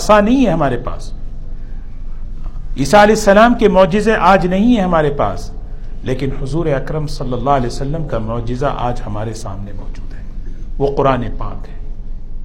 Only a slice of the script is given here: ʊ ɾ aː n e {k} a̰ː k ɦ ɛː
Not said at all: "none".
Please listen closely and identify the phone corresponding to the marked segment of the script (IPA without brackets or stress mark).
p